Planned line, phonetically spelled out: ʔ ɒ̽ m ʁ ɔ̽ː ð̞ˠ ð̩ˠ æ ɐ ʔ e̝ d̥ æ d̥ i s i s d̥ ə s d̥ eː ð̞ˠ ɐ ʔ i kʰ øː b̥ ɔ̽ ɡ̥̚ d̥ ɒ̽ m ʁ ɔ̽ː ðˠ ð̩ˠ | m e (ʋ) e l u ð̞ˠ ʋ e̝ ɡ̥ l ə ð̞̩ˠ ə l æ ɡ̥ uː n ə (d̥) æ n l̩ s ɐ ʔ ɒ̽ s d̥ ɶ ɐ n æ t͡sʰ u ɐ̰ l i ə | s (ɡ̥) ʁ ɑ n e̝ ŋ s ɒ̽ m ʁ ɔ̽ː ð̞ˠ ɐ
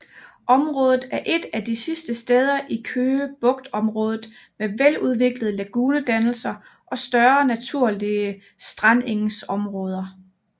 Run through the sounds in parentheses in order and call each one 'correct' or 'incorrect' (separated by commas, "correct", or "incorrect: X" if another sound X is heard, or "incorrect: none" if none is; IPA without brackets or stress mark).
correct, correct, incorrect: d̥